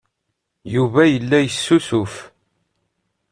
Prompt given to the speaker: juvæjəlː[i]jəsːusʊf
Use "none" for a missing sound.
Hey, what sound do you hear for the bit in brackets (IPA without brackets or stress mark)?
æ